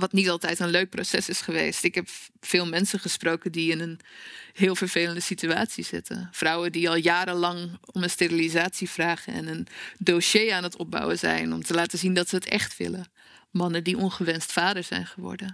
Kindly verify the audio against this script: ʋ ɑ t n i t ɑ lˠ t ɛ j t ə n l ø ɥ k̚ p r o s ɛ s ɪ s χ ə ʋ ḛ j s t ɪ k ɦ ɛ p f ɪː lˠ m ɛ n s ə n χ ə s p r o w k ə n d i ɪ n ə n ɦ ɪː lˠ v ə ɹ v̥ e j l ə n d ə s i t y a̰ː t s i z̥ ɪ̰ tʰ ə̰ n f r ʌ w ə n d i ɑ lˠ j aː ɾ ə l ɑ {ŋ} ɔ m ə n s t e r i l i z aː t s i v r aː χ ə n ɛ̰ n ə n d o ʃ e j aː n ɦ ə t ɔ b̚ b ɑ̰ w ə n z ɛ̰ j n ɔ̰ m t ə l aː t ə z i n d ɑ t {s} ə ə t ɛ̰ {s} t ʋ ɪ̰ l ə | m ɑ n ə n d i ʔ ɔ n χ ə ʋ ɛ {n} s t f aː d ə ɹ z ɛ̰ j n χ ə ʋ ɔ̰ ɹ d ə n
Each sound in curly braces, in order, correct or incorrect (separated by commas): correct, correct, incorrect, correct